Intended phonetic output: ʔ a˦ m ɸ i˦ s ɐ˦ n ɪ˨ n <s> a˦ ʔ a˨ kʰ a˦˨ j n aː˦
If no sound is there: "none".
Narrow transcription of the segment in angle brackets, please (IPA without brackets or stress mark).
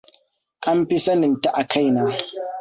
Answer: t